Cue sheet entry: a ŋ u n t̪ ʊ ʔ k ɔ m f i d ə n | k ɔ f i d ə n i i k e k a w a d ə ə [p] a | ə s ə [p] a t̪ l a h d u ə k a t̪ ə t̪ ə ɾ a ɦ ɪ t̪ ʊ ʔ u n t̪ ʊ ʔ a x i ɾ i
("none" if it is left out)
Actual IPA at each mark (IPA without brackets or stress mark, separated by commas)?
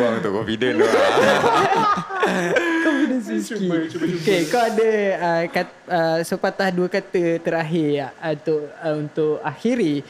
k, p